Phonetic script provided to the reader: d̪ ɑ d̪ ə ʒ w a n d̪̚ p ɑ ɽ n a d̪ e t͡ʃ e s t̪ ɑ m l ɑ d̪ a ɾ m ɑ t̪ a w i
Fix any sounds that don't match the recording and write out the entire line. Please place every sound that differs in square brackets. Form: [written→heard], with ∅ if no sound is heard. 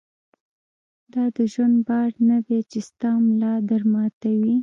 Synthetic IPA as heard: d̪ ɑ d̪ ə ʒ w a n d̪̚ [p→b] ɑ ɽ n a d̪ e t͡ʃ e s t̪ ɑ m l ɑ d̪ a ɾ m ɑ t̪ a w i